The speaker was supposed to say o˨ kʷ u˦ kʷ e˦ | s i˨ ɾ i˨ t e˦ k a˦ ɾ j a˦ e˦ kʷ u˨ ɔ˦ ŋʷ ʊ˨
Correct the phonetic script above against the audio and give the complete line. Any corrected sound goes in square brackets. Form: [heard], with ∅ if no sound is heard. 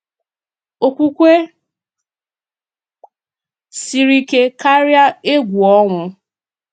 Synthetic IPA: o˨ kʷ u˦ kʷ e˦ | s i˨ ɾ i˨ [k] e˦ k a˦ ɾ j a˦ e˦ [ɡʷ] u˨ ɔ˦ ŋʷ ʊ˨